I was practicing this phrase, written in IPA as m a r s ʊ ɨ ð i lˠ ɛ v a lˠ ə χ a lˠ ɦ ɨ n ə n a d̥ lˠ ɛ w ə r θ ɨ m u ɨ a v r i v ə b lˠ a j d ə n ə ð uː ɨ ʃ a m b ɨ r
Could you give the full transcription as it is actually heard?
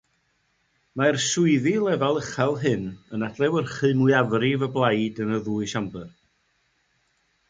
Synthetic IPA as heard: m a r s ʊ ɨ ð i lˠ ɛ v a lˠ ə χ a lˠ ɦ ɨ n ə n a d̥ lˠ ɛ w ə r χ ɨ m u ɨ a v r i v ə b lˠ a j d ə n ə ð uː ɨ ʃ a m b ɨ r